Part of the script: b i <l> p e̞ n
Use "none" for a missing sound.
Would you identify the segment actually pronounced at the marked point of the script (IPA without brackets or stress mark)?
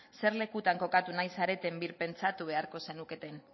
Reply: ɾ